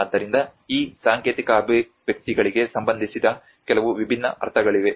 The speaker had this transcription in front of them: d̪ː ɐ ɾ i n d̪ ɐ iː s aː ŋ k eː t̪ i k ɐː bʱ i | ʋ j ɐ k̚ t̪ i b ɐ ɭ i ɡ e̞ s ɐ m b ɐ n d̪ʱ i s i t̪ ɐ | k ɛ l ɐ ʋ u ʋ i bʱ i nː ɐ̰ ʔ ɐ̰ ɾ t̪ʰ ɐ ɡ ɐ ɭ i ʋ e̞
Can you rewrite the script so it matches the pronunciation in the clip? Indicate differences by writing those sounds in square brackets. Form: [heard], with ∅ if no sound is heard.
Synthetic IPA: d̪ː ɐ ɾ i n d̪ ɐ iː s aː ŋ k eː t̪ i k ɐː bʱ i | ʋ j ɐ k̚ t̪ i [ɡ] ɐ ɭ i ɡ e̞ s ɐ m b ɐ n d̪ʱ i s i [d̪] ɐ | k ɛ l ɐ ʋ u ʋ i bʱ i nː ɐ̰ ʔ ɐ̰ ɾ t̪ʰ ɐ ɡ ɐ ɭ i ʋ e̞